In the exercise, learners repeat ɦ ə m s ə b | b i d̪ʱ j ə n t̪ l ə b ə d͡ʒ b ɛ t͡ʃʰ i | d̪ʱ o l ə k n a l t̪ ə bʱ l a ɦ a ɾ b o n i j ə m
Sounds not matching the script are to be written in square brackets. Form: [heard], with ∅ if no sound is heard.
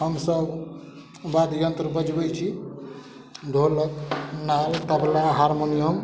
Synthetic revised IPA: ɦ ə m s ə b | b [a] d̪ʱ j ə n t̪ [ɾ] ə b ə d͡ʒ b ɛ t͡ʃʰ i | d̪ʱ o l ə k n a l t̪ ə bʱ l a ɦ a ɾ [m] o n i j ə m